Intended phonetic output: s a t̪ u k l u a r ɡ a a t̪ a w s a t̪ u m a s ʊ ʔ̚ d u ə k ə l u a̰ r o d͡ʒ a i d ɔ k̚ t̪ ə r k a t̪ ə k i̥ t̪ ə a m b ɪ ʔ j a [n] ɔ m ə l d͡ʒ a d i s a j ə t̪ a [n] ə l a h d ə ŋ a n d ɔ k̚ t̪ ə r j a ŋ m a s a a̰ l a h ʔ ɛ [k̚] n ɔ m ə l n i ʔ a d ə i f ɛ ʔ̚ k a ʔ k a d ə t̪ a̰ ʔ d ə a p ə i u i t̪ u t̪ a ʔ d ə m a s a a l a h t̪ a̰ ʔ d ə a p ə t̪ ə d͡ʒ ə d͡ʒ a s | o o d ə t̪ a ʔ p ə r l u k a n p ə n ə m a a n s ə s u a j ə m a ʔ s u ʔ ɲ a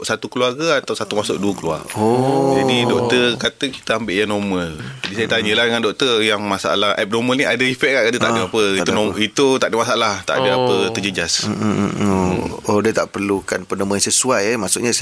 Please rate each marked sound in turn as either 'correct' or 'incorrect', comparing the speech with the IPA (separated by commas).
correct, incorrect, incorrect